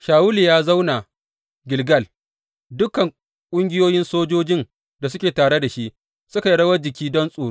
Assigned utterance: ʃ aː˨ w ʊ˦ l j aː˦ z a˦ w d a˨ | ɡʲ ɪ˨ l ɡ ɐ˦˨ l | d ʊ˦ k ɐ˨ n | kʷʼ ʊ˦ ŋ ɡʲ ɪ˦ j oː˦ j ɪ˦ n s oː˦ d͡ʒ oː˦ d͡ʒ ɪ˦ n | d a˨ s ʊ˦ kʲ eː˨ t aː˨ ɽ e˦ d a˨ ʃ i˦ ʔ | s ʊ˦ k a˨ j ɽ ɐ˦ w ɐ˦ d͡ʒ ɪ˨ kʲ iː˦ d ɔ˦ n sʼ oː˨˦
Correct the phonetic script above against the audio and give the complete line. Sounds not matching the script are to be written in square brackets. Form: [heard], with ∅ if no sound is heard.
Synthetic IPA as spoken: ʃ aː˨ w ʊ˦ l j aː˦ z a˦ w [n] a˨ | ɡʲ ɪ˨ l ɡ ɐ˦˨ l | d ʊ˦ k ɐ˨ [ŋ] | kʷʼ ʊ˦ ŋ ɡʲ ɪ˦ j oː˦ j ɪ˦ n s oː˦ d͡ʒ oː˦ d͡ʒ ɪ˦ n | d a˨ s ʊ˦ kʲ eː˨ t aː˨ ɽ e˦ d a˨ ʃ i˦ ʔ | s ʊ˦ k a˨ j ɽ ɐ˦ w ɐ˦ d͡ʒ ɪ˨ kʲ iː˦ d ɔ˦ n sʼ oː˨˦